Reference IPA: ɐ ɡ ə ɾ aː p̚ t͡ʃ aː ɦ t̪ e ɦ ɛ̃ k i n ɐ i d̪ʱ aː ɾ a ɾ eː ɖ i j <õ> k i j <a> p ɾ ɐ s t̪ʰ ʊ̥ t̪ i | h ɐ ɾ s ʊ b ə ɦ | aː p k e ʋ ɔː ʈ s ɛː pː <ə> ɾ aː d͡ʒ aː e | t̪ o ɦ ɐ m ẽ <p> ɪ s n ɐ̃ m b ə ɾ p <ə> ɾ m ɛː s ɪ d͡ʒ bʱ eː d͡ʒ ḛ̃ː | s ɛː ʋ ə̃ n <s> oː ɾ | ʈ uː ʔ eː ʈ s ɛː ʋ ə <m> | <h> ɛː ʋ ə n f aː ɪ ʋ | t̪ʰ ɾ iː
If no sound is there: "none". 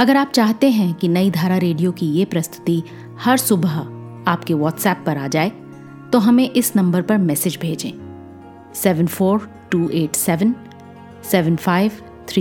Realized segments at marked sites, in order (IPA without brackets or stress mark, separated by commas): o, e, ɐ, ʔ, ɐ, f, n, s